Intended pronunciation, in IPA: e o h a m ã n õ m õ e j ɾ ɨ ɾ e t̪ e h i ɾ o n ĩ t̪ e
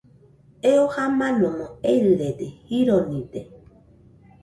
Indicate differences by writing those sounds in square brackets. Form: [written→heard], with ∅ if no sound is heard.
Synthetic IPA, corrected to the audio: e o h a m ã n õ m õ e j ɾ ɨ ɾ e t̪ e h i ɾ o n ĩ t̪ e

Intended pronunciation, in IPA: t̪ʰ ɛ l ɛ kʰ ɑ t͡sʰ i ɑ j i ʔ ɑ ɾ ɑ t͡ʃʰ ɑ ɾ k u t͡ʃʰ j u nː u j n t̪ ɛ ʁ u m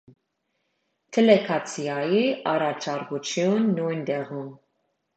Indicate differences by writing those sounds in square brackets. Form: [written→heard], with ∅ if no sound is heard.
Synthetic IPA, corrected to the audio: t̪ʰ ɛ l ɛ kʰ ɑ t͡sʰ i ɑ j i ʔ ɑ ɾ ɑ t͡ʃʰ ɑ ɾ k u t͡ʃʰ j u nː u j n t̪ ɛ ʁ u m

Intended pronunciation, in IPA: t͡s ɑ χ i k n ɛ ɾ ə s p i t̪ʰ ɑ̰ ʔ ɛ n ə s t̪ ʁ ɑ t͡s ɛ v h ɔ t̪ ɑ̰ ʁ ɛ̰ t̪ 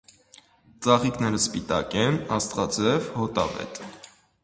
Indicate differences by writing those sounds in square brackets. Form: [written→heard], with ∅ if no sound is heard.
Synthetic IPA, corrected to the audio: t͡s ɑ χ i k n ɛ ɾ ə s p i [t̪ʰ→t̪] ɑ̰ [ʔ→k] ɛ n [ə→ɑ] s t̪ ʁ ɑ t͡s ɛ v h ɔ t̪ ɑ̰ [ʁ→v] ɛ̰ t̪

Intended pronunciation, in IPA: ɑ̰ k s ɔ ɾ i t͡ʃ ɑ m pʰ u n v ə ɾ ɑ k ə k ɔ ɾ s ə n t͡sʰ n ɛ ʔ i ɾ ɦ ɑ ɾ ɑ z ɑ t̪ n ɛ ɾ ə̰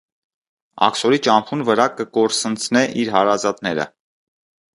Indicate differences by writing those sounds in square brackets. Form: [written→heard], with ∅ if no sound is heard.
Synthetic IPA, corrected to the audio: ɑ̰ k s ɔ ɾ i t͡ʃ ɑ m pʰ u n v ə ɾ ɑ k ə k ɔ ɾ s ə n t͡sʰ n ɛ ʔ i ɾ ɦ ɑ ɾ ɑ z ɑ t̪ n ɛ ɾ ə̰

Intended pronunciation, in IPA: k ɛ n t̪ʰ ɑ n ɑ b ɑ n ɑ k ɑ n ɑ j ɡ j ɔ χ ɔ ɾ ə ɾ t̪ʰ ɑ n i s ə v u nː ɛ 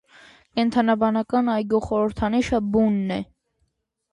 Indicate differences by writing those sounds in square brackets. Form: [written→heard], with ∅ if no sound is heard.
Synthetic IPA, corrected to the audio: k ɛ n t̪ʰ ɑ n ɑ b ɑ n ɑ k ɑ n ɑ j ɡ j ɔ χ ɔ ɾ ə ɾ t̪ʰ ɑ n i [s→ʃ] ə [v→b] u nː ɛ

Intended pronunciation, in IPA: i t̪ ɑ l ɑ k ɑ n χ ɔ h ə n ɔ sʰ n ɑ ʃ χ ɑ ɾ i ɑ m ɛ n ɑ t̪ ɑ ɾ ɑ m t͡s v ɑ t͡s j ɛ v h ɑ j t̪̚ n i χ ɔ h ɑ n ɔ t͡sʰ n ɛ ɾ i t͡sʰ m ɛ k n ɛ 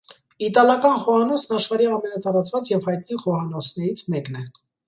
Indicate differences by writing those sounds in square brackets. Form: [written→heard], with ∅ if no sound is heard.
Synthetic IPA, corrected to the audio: i t̪ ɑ l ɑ k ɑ n χ ɔ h [ə→ɑ] n ɔ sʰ n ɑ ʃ χ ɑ ɾ i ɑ m ɛ n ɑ t̪ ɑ ɾ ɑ [m→∅] t͡s v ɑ t͡s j ɛ v h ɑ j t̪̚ n i χ ɔ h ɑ n ɔ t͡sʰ n ɛ ɾ i t͡sʰ m ɛ k n ɛ

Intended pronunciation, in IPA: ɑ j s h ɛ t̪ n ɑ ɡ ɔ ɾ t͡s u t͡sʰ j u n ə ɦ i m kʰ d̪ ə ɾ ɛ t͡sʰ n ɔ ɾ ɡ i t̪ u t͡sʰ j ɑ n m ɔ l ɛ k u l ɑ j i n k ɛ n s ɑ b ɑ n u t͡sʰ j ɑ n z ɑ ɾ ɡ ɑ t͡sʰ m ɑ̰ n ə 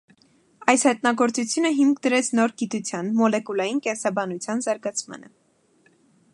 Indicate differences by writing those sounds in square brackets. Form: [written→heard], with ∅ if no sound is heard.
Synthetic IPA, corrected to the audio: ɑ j s h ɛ t̪ n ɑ ɡ ɔ ɾ t͡s u t͡sʰ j u n ə ɦ i m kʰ d̪ ə ɾ ɛ t͡sʰ n ɔ ɾ ɡ i t̪ u t͡sʰ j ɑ n m ɔ l ɛ k u l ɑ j i n k ɛ n s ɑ b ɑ n u t͡sʰ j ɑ n z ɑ ɾ ɡ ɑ t͡sʰ m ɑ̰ n ə

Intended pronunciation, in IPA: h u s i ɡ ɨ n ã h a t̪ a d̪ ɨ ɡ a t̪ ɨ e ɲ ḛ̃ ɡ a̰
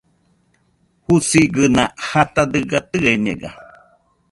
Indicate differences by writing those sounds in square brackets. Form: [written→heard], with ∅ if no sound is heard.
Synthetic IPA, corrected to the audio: h u s i ɡ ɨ n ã h a t̪ a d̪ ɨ ɡ a t̪ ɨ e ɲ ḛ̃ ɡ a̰

